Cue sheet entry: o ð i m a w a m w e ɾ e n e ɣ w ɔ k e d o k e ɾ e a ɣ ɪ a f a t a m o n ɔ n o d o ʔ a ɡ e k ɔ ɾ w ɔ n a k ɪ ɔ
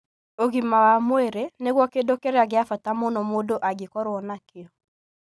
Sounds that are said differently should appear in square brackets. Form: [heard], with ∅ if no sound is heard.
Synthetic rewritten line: o [ɣ] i m a w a m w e ɾ e n e ɣ w ɔ k e d o k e ɾ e a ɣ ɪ a f a t a m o n ɔ [m] o d o ʔ a ɡ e k ɔ ɾ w ɔ n a k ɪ ɔ